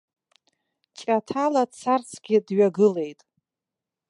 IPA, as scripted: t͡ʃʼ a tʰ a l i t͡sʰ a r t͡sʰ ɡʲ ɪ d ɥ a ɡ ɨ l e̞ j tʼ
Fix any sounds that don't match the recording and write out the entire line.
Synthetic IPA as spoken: t͡ʃʼ a tʰ a l a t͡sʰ a r t͡sʰ ɡʲ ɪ d ɥ a ɡ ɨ l e̞ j tʼ